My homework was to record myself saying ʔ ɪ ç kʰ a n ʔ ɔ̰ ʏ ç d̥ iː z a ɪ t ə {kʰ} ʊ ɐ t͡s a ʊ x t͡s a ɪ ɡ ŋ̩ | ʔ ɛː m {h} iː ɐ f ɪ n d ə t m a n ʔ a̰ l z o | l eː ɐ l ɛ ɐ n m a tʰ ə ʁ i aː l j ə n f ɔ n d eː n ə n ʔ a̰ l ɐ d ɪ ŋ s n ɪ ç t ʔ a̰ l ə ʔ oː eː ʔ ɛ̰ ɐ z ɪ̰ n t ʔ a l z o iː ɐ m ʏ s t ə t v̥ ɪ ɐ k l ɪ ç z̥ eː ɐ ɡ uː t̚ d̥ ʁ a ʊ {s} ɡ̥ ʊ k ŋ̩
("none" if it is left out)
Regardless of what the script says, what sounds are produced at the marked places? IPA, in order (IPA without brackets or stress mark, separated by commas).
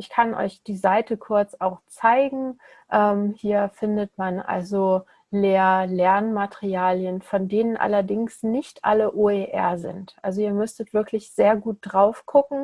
kʰ, h, f